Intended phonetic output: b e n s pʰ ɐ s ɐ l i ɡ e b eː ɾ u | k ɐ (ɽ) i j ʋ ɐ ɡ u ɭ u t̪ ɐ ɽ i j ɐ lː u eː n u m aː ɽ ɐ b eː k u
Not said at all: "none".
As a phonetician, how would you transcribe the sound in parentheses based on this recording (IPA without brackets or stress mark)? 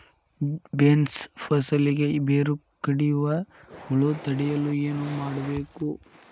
ɽ